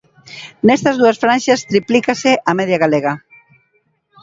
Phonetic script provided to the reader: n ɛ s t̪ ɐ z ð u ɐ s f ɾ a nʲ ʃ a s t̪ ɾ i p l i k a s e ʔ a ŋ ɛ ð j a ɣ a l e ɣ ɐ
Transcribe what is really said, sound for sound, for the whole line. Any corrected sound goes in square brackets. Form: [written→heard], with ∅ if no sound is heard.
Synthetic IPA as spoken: n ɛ s t̪ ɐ z ð u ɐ s f ɾ a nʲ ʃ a s t̪ ɾ i p l i k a s e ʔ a [ŋ→m] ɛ ð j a ɣ a l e ɣ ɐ